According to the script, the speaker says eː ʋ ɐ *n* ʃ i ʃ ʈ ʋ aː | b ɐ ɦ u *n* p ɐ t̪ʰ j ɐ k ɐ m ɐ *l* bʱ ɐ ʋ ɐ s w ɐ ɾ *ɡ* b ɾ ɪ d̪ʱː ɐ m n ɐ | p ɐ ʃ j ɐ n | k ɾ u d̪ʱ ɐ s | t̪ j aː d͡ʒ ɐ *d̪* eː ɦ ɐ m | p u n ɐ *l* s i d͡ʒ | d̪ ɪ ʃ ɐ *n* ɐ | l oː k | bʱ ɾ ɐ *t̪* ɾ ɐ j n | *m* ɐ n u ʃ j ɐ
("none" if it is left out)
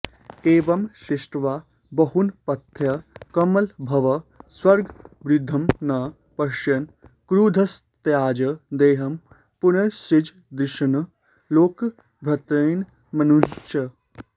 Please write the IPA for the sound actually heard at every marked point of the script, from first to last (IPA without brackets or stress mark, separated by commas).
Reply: m, n, l, ɡ, d̪, ɾ, n, t̪, m